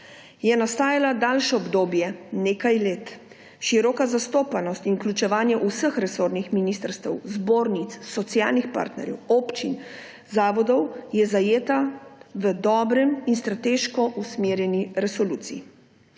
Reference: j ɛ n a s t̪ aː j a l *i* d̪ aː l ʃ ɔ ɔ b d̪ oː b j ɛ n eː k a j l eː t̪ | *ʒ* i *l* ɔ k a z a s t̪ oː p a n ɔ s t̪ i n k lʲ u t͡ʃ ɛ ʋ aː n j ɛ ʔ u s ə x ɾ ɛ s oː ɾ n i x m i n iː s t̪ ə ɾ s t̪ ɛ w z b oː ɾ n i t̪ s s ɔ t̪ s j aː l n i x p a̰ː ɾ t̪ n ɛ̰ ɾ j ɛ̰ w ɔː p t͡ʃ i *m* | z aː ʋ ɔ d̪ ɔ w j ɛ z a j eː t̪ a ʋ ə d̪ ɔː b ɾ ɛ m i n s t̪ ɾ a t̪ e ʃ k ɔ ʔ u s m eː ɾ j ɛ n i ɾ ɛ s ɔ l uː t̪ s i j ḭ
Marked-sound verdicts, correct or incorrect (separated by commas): incorrect, incorrect, incorrect, incorrect